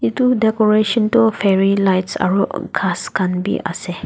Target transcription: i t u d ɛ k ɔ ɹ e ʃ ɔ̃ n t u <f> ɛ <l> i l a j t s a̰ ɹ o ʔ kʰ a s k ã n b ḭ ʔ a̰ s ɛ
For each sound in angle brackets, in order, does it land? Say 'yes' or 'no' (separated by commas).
yes, no